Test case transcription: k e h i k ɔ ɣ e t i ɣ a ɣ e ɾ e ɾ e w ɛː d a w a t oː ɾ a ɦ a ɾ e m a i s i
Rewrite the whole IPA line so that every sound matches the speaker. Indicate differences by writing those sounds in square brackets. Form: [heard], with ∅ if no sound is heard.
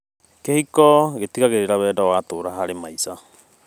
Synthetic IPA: k e h i k ɔ ɣ e t i ɣ a ɣ e ɾ e ɾ [a] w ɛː d a w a t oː ɾ a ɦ a ɾ e m a i s [a]